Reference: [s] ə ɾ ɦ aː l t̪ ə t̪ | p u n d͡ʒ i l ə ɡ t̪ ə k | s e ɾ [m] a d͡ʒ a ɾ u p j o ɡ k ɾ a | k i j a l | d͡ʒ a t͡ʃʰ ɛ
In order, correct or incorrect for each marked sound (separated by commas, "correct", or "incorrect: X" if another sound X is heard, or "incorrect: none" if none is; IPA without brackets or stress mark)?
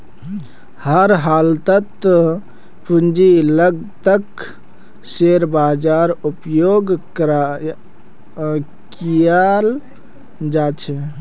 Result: incorrect: h, incorrect: b